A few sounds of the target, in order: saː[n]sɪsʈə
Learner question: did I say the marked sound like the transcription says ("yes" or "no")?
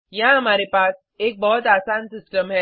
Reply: yes